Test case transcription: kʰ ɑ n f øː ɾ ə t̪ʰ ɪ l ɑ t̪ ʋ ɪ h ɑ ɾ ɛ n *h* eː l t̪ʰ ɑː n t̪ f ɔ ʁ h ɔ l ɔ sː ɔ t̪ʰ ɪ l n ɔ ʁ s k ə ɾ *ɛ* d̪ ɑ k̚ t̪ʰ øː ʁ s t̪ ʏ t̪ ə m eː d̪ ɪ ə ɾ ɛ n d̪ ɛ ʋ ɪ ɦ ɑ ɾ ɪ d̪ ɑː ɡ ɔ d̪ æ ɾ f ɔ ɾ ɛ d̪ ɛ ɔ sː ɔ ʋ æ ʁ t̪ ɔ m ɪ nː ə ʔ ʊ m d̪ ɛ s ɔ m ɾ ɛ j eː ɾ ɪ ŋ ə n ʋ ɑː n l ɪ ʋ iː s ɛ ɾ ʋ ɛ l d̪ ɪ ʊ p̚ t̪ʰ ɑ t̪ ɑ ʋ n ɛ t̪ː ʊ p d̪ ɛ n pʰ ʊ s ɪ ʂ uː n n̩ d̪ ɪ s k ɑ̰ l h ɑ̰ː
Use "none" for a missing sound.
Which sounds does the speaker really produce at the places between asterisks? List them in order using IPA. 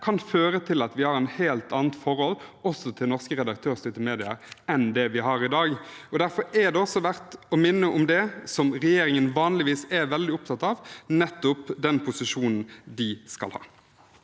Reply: h, ɛ

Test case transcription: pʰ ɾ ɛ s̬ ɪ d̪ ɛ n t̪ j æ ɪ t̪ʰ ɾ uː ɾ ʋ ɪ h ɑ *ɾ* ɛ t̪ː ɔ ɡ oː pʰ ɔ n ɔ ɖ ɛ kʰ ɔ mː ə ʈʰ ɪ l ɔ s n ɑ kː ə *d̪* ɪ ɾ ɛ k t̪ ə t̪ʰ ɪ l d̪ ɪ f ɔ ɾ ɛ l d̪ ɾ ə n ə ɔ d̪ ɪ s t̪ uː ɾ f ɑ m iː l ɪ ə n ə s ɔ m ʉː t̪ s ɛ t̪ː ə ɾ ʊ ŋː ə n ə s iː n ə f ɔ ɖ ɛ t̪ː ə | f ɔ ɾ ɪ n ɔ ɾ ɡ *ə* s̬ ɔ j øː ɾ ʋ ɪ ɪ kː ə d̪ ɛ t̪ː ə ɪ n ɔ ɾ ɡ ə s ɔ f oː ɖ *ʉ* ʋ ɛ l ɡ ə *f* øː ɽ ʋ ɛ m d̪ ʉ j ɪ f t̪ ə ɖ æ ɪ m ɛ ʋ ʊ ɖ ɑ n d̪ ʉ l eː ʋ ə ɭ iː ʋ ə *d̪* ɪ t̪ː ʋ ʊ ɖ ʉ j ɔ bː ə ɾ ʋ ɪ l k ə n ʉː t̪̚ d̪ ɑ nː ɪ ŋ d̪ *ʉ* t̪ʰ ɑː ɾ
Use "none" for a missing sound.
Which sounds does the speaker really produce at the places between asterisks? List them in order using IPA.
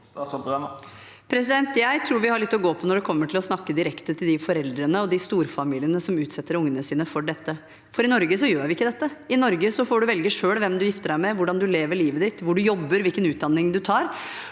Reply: ɭ, d̪, ə, ʉ, ʂ, d̪, ʉ

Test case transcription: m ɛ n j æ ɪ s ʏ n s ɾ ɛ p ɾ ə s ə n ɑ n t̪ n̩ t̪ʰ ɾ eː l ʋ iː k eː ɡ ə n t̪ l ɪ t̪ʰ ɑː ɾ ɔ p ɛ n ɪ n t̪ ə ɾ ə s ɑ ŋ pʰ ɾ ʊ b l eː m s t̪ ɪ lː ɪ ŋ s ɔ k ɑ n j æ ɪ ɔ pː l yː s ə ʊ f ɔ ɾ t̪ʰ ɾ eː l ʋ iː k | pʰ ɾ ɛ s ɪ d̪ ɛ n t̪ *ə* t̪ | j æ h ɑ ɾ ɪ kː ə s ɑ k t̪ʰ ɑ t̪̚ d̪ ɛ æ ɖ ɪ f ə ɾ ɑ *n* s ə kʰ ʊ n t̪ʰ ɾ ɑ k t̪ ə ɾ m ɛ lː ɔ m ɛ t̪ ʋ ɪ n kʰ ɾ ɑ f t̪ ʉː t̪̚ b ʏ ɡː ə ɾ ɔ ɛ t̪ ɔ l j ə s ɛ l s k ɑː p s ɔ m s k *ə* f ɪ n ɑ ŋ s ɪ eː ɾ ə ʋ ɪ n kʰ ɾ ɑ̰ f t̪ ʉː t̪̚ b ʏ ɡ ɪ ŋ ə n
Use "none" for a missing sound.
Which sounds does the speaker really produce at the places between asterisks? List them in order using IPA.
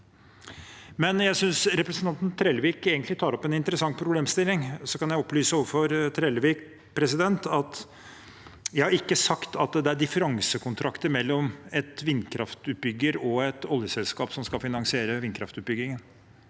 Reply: ɑ, ŋ, ɑ

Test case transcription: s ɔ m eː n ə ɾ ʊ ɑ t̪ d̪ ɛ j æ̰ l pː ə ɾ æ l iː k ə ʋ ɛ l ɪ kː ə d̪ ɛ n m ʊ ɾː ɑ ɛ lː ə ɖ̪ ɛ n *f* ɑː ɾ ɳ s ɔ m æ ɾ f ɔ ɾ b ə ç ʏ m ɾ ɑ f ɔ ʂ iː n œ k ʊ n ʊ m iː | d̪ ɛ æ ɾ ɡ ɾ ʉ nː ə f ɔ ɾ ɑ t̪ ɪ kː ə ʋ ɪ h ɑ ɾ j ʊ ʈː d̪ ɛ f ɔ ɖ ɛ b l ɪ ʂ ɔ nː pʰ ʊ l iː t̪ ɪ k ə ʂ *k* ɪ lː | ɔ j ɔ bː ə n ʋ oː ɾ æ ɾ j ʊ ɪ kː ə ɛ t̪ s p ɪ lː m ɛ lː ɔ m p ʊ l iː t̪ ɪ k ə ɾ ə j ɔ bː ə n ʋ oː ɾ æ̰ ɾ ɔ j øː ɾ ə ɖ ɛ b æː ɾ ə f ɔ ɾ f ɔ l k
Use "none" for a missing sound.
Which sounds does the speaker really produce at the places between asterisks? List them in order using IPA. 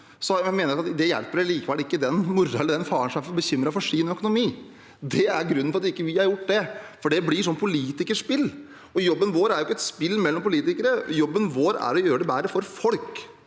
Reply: f, p

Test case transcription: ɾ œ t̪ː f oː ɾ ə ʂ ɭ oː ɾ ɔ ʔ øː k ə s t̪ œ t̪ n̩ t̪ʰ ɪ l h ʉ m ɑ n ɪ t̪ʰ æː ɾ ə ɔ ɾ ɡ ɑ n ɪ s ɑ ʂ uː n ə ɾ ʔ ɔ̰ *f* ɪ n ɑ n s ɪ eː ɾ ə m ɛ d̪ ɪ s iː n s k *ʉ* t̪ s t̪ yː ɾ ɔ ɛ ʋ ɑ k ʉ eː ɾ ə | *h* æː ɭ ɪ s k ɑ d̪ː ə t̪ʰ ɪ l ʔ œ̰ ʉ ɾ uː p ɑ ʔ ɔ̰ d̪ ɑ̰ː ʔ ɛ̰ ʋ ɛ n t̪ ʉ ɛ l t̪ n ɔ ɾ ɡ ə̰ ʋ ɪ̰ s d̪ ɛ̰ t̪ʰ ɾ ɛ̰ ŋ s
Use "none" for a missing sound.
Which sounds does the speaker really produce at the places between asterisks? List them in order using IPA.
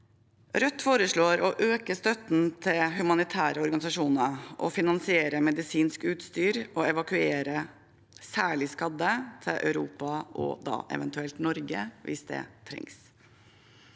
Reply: f, ʉː, s

